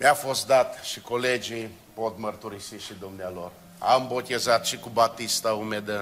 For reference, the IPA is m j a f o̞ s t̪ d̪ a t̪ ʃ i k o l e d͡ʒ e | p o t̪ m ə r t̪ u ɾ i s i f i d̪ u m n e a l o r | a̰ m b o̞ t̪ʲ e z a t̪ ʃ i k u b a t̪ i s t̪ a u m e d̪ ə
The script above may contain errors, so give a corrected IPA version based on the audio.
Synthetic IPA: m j a f o̞ s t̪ d̪ a t̪ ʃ i k o l e d͡ʒ i | p o t̪ m ə r t̪ u ɾ i s i ʃ i d̪ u m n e a l o r | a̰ m b o̞ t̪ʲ e z a t̪ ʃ i k u b a t̪ i s t̪ a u m e d̪ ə